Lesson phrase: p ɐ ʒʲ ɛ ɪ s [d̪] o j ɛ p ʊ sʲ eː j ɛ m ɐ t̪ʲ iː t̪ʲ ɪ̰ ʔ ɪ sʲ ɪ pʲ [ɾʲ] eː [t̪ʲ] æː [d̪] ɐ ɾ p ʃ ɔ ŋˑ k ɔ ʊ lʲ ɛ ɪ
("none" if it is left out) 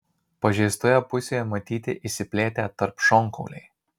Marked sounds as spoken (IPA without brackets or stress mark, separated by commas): t̪, lʲ, t̪ʲ, t̪